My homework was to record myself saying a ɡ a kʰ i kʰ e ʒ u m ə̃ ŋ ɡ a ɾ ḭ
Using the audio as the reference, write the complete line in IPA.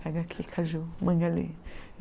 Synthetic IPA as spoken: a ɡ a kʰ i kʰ a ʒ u m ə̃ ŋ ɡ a l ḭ